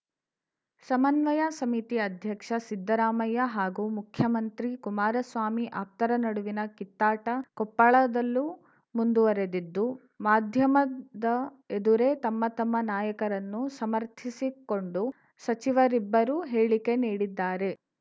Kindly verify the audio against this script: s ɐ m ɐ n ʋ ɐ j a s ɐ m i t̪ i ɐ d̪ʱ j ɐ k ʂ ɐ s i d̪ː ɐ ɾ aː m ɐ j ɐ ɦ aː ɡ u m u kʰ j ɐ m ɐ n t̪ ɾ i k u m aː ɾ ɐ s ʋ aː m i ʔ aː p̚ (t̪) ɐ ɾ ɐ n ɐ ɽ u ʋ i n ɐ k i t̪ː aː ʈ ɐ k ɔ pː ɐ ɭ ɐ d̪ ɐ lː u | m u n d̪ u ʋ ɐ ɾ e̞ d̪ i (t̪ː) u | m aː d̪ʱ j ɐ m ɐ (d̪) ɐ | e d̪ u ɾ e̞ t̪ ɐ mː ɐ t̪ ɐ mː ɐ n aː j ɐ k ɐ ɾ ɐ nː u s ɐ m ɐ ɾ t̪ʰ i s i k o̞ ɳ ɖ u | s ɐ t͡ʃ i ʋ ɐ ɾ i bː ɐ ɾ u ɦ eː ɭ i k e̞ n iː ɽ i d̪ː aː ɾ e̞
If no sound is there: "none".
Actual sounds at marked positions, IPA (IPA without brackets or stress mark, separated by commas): t̪, d̪ː, d̪